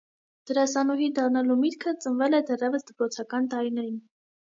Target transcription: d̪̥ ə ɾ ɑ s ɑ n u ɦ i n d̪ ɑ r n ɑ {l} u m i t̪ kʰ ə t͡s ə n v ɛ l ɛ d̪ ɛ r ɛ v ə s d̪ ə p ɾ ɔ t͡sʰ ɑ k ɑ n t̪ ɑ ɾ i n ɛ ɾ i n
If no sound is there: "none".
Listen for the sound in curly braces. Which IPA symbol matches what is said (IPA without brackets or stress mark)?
l